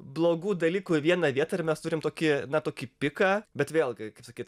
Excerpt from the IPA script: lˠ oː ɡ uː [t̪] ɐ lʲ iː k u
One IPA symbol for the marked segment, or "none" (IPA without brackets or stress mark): d̪